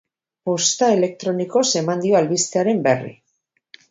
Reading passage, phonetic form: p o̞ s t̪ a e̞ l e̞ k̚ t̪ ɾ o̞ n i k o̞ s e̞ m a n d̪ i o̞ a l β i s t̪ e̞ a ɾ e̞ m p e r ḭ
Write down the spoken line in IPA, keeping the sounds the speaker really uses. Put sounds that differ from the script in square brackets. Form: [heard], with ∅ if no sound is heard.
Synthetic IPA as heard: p o̞ s t̪ a e̞ l e̞ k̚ t̪ ɾ o̞ n i k o̞ s e̞ m a n d̪ i o̞ a l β i s t̪ e̞ a ɾ e̞ m [b] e r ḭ